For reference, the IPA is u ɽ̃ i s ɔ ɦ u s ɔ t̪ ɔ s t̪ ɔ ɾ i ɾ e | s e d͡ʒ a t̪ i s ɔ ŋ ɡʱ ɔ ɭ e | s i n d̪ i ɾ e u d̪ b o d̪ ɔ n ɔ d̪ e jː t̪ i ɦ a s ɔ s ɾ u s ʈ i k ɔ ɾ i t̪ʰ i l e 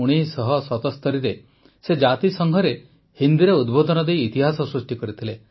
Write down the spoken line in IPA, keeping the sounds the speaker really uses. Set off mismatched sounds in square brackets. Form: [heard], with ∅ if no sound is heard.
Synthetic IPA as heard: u ɽ̃ i s ɔ ɦ [ɔ] s ɔ t̪ ɔ s t̪ ɔ ɾ i ɾ e | s e d͡ʒ a t̪ i s ɔ ŋ ɡʱ ɔ [ɾ] e | [h] i n d̪ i ɾ e u d̪ b o d̪ ɔ n ɔ d̪ e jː t̪ i ɦ a s ɔ s ɾ u s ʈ i k ɔ ɾ i t̪ʰ i l e